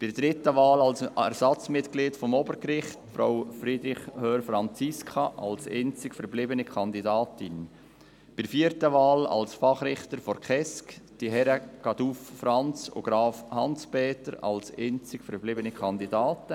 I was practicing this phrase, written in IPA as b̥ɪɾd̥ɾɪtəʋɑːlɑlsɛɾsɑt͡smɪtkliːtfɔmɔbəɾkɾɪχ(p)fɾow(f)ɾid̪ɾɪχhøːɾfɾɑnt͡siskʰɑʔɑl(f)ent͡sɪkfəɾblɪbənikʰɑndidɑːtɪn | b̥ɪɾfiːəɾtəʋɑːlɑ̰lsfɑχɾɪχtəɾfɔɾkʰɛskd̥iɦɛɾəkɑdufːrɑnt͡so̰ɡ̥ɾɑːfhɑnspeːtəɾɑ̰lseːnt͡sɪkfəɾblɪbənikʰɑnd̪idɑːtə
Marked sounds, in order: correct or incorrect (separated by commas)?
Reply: incorrect, correct, incorrect